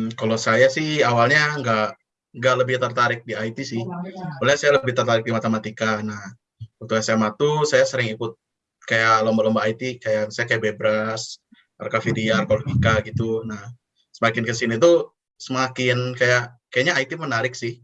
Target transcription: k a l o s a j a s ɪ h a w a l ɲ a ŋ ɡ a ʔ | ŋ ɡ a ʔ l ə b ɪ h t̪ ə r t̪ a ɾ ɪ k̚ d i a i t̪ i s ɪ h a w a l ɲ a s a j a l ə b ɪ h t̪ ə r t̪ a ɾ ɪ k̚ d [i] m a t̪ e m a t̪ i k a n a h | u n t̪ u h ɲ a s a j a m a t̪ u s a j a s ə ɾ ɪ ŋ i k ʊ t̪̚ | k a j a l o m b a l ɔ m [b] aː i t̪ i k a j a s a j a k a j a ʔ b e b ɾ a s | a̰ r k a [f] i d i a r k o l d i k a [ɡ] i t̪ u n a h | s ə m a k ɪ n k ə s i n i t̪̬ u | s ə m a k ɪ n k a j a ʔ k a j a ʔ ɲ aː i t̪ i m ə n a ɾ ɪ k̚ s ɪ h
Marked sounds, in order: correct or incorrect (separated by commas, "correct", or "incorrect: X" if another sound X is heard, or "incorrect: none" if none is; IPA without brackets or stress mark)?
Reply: correct, correct, correct, correct